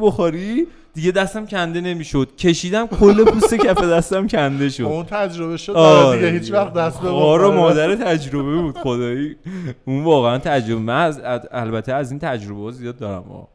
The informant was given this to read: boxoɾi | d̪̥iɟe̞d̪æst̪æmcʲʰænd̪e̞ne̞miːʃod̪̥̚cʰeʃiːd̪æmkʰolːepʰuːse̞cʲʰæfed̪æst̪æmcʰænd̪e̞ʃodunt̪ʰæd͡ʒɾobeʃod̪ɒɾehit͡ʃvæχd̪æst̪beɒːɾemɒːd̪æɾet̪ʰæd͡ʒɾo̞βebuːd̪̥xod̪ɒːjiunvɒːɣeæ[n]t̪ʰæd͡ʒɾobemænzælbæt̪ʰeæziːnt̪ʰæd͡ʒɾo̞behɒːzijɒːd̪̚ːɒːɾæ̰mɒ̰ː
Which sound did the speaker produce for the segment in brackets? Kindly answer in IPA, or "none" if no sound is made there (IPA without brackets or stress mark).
n